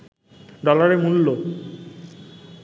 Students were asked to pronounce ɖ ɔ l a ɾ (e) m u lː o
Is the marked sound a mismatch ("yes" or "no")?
no